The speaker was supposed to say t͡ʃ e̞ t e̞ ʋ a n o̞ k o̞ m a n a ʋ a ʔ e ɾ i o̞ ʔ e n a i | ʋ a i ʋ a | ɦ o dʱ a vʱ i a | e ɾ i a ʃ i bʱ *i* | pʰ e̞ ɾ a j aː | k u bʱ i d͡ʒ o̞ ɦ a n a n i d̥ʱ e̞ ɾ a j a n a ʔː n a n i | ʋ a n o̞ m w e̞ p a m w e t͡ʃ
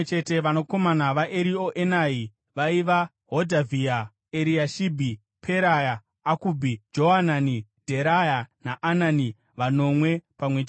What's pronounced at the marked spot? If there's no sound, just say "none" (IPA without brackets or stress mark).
i